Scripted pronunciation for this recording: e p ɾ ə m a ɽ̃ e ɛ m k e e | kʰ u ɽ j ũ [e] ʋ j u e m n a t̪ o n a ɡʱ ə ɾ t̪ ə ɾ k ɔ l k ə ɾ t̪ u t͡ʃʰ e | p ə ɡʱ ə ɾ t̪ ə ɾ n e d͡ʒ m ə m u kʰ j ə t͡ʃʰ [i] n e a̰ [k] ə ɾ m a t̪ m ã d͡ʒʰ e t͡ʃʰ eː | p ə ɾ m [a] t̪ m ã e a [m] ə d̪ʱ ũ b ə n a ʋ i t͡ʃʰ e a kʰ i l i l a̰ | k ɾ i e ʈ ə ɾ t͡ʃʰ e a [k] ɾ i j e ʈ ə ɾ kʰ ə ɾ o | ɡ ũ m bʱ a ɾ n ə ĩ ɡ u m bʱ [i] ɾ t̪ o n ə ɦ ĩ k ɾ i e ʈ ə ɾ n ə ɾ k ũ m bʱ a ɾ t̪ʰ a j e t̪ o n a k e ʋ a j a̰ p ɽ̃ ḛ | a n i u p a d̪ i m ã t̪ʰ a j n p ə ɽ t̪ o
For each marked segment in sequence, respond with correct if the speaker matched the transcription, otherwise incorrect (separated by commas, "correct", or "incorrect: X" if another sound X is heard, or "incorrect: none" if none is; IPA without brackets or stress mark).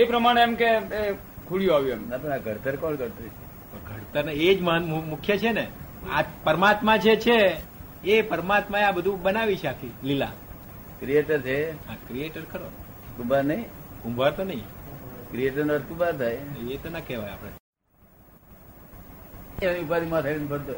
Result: incorrect: a, incorrect: e, incorrect: p, correct, incorrect: b, correct, incorrect: a